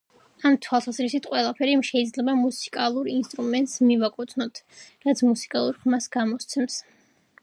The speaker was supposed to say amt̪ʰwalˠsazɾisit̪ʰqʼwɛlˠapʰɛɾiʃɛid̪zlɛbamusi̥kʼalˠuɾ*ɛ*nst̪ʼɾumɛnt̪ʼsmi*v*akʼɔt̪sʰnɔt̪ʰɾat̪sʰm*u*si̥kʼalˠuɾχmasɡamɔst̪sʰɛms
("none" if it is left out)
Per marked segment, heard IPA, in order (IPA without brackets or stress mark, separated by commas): i, v, u